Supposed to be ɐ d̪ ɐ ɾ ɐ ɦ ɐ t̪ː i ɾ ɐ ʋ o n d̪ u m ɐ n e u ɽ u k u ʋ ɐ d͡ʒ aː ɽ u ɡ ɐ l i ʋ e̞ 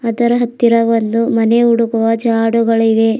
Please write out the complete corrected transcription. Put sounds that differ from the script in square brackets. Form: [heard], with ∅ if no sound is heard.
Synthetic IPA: ɐ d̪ ɐ ɾ ɐ ɦ ɐ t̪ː i ɾ ɐ ʋ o n d̪ u m ɐ n e u ɽ u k u ʋ ɐ d͡ʒ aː ɽ u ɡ ɐ [ɭ] i ʋ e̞